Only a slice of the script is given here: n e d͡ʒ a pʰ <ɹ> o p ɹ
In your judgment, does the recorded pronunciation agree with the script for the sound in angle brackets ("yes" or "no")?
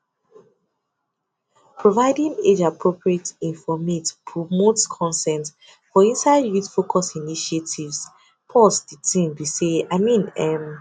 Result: yes